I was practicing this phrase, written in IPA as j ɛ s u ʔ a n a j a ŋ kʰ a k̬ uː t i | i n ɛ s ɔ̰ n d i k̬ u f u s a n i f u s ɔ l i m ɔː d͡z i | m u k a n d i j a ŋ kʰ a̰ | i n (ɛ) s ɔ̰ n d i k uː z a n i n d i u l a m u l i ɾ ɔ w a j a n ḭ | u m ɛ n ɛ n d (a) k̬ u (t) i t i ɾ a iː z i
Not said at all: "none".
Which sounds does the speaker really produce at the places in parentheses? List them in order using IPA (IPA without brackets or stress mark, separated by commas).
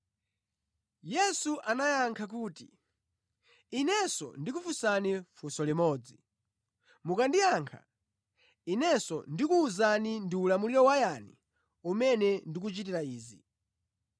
ɛ, i, t͡ʃ